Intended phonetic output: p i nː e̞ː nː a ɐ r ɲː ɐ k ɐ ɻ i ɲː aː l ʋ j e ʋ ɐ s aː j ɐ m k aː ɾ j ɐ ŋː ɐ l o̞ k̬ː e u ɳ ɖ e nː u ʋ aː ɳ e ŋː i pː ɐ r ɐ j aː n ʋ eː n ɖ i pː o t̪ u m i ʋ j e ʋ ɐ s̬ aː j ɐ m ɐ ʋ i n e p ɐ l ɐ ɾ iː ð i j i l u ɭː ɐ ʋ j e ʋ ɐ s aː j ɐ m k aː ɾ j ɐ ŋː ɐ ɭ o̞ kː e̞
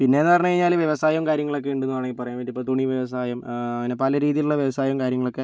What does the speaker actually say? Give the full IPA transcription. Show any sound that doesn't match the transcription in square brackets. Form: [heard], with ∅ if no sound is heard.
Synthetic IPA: p i nː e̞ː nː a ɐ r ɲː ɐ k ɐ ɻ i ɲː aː l ʋ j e ʋ ɐ s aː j ɐ m k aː ɾ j ɐ ŋː ɐ [ɭ] o̞ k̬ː e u ɳ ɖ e nː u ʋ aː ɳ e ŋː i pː ɐ r ɐ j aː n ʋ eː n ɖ i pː o t̪ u [ɳ] i ʋ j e ʋ ɐ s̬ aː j ɐ m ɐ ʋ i n e p ɐ l ɐ ɾ iː ð i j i l u ɭː ɐ ʋ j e ʋ ɐ s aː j ɐ m k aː ɾ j ɐ ŋː ɐ ɭ o̞ kː e̞